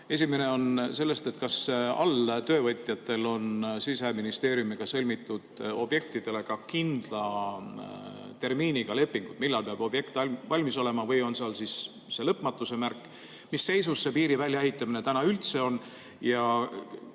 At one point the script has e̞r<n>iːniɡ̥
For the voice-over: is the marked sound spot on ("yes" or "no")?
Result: no